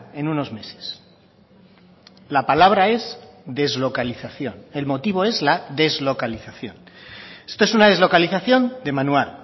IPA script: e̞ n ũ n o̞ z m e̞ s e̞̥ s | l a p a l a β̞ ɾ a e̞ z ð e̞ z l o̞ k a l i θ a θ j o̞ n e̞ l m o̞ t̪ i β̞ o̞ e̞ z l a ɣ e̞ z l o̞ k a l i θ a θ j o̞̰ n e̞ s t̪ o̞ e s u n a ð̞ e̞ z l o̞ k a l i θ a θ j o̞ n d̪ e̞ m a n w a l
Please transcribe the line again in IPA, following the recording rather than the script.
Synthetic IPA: e̞ n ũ n o̞ z m e̞ s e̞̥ s | l a p a l a β̞ ɾ a e̞ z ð e̞ z l o̞ k a l i θ a θ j o̞ n e̞ l m o̞ t̪ i β̞ o̞ e̞ z l a ð e̞ z l o̞ k a l i θ a θ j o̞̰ n e̞ s t̪ o̞ e s u n a ð̞ e̞ z l o̞ k a l i θ a θ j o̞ n d̪ e̞ m a n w a l